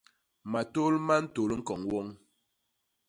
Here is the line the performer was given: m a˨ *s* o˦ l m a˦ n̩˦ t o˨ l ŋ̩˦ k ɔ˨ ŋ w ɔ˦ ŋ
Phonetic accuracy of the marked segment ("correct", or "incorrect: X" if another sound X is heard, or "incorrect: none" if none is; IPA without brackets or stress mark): incorrect: t